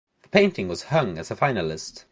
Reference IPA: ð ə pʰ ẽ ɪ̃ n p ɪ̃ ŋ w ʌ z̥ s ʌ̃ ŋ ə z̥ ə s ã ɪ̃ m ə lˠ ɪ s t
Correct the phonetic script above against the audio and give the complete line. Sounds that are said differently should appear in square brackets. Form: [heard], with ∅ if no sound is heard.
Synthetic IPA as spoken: ð ə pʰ ẽ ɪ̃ n [t] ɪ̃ ŋ w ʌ z̥ [h] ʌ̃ ŋ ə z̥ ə [f] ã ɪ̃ [n] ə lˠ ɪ s t